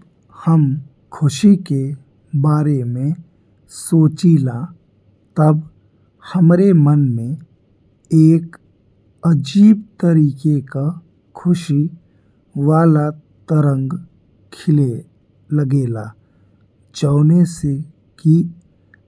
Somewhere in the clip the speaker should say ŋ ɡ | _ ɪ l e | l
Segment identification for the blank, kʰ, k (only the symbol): kʰ